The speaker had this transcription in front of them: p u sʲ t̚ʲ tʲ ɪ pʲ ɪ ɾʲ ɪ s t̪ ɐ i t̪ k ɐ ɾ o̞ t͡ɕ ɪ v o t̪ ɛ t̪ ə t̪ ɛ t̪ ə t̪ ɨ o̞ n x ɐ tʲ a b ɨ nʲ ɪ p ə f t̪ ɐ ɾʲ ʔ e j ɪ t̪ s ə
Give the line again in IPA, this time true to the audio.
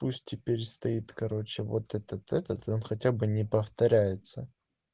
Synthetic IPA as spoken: p u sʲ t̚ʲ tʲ ɪ pʲ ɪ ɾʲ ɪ s t̪ ɐ i t̪ k ɐ ɾ o̞ t͡ɕ ɪ v o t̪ ɛ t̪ ə t̪ ɛ t̪ ə t̪ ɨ o̞ n x ɐ tʲ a b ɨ nʲ ɪ p ə f t̪ ɐ ɾʲ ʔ æ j ɪ t̪ s ə